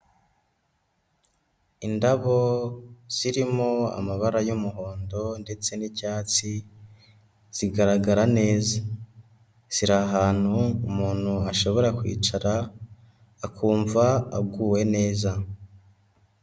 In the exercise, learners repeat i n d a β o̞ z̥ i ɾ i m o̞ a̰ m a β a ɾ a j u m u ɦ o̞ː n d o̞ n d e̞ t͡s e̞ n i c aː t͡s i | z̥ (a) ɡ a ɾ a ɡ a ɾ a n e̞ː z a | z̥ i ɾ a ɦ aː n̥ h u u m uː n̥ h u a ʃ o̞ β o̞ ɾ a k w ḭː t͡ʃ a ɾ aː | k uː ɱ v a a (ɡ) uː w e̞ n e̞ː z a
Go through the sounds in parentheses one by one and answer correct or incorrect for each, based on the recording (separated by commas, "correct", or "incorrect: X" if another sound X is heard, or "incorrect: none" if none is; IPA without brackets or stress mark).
incorrect: i, correct